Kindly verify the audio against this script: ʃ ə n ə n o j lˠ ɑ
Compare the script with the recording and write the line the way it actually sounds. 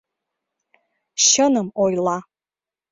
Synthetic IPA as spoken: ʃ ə n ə m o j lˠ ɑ

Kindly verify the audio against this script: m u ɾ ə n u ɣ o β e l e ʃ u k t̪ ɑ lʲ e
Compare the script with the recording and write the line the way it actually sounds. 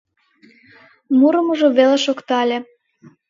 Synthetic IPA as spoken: m u ɾ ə m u ʒ o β e l e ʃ o k t̪ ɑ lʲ e

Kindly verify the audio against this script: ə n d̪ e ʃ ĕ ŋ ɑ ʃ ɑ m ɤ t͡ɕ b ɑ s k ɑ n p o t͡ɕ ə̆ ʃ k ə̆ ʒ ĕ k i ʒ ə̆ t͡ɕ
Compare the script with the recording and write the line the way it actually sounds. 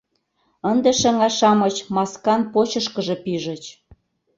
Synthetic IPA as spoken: ə n d̪ e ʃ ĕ ŋ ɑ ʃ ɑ m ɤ t͡ɕ m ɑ s k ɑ n p o t͡ɕ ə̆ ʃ k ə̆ ʒ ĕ p i ʒ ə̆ t͡ɕ

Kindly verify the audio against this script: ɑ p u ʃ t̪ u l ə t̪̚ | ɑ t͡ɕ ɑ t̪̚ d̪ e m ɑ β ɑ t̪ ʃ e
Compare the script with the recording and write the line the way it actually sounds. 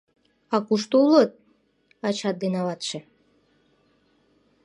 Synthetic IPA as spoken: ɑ k u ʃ t̪ u l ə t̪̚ | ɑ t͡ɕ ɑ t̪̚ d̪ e n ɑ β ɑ t̪ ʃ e

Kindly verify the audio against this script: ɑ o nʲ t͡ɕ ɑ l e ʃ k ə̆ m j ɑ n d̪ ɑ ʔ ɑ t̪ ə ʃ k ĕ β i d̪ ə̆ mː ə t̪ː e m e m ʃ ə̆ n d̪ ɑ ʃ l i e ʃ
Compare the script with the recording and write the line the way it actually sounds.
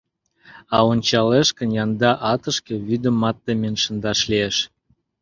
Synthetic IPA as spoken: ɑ o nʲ t͡ɕ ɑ l e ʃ k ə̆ n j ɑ n d̪ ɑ ʔ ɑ t̪ ə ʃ k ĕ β y d̪ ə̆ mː ɑ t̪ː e m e n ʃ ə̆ n d̪ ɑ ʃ l i e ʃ

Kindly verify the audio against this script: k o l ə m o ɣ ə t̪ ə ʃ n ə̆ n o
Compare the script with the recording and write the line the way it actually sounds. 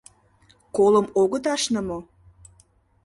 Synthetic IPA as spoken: k o l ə m o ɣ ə t̪ ɑ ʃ n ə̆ m o

